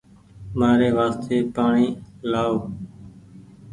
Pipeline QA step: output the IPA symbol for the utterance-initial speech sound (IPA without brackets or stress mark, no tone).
m